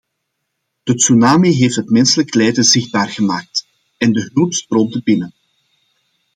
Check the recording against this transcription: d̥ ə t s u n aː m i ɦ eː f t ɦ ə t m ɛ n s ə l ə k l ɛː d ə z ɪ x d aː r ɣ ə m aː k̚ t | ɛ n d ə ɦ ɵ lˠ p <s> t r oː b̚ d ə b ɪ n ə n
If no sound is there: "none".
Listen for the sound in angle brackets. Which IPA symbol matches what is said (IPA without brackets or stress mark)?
s